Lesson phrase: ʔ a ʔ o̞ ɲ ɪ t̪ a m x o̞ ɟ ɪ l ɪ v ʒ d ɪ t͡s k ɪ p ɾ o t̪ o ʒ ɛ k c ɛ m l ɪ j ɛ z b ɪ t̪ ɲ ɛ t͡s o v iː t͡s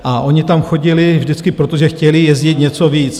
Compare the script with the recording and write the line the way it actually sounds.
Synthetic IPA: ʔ a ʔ o̞ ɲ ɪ t̪ a m x o̞ ɟ ɪ l ɪ v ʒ d ɪ t͡s k ɪ p ɾ o t̪ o ʒ ɛ x c ɛ l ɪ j ɛ z ɟ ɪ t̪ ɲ ɛ t͡s o v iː t͡s